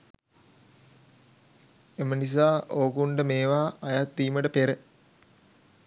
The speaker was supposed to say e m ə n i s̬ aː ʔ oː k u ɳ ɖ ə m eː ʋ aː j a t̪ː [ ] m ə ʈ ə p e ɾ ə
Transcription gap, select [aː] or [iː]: iː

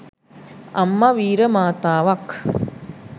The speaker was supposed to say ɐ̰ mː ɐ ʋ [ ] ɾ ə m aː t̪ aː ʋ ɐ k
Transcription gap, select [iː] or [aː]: iː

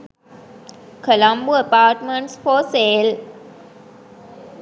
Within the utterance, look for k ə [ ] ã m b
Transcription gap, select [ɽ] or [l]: l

